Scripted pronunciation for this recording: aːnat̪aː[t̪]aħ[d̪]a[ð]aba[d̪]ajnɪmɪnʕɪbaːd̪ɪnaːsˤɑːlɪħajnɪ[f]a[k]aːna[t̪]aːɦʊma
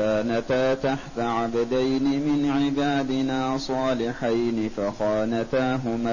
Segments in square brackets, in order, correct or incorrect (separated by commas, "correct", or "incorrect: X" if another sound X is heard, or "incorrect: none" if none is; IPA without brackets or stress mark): correct, incorrect: t̪, incorrect: ʕ, correct, correct, incorrect: x, correct